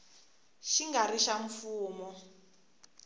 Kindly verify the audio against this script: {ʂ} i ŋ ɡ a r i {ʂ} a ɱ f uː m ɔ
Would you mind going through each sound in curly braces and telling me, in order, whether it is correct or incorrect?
incorrect: ʃ, incorrect: ʃ

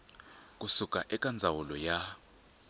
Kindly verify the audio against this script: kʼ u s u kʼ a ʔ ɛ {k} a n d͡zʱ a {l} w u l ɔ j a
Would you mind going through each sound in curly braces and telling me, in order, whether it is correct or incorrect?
incorrect: kʼ, incorrect: none

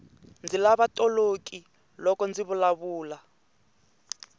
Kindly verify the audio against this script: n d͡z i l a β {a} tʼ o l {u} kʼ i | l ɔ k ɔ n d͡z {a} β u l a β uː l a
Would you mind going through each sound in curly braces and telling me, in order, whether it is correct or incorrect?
correct, incorrect: o, incorrect: i

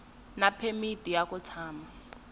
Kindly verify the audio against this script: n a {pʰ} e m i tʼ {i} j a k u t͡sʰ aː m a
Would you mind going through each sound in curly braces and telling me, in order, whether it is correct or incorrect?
correct, correct

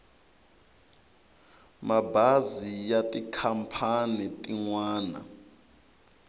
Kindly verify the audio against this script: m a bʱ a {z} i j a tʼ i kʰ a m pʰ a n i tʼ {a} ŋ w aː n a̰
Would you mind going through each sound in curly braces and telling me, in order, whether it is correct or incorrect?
correct, incorrect: i

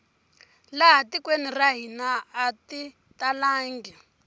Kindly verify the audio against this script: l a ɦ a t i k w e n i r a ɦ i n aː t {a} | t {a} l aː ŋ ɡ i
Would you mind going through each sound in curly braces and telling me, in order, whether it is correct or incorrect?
incorrect: i, correct

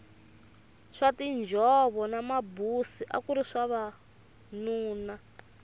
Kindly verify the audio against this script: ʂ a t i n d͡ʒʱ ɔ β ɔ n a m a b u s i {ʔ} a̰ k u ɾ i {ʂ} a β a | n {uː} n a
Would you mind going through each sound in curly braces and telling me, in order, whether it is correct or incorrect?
correct, correct, correct

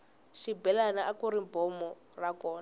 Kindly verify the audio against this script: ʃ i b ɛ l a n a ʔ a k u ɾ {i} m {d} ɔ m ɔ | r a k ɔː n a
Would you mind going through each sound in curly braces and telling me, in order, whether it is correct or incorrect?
correct, incorrect: b

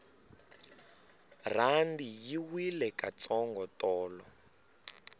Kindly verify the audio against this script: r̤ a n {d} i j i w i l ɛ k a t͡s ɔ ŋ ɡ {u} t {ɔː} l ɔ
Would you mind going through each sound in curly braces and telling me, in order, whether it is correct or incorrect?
correct, incorrect: ɔ, correct

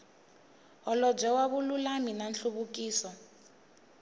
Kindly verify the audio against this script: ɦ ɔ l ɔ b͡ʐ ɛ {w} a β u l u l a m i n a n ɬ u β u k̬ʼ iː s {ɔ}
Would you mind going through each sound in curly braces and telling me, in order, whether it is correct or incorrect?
correct, correct

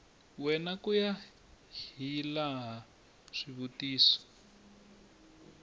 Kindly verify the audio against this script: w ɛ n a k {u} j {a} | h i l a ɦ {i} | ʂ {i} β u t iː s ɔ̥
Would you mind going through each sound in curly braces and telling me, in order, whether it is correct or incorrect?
correct, correct, incorrect: a, correct

